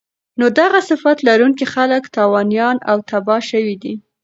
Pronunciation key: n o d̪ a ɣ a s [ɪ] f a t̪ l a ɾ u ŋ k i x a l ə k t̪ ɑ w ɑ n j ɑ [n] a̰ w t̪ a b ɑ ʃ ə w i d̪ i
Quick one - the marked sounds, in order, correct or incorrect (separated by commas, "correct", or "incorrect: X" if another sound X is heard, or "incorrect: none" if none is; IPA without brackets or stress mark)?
correct, correct